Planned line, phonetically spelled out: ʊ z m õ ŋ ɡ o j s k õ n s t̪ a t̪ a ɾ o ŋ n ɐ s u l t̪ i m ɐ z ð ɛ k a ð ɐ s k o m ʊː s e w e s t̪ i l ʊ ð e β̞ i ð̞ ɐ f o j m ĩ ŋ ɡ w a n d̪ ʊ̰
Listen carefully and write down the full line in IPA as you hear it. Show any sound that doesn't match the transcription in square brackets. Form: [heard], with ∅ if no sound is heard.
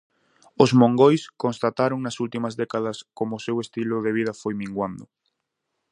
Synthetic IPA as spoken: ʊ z m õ ŋ ɡ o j s k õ n s t̪ a t̪ a ɾ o ŋ n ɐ s u l t̪ i m ɐ z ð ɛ k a ð ɐ s k o m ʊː s e w e s t̪ i l ʊ ð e β̞ i ð̞ ɐ f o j m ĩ ŋ ɡ w a n d̪ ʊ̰